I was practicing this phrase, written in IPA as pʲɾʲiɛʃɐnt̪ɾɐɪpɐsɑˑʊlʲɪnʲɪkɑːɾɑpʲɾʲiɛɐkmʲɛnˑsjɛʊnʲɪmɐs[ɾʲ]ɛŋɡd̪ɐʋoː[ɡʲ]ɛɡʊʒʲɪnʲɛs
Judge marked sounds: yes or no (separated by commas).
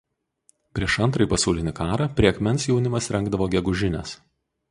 yes, yes